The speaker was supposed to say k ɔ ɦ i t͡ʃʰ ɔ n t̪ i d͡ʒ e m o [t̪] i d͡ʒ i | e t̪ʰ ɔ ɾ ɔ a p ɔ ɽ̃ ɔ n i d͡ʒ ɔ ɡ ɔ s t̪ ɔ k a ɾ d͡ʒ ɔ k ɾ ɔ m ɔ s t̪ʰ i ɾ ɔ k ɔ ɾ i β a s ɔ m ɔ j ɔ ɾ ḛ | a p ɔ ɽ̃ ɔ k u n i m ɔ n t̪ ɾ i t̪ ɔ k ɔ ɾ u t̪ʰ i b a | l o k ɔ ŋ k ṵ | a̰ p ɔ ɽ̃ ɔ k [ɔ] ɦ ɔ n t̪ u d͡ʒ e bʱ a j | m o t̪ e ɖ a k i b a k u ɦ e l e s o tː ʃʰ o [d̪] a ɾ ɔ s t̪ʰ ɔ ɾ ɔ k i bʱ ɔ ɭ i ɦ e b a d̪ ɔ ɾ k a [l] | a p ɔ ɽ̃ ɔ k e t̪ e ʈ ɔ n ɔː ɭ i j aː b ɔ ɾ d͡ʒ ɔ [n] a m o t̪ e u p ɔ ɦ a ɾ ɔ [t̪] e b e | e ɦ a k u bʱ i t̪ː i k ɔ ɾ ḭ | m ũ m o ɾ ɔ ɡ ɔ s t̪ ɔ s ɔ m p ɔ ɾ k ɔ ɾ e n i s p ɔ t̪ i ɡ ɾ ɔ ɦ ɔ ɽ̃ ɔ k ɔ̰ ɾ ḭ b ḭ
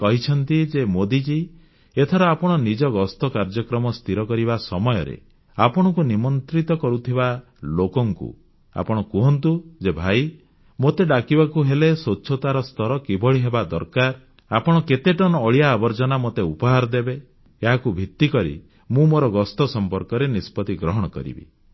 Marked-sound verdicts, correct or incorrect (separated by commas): incorrect, incorrect, incorrect, incorrect, correct, incorrect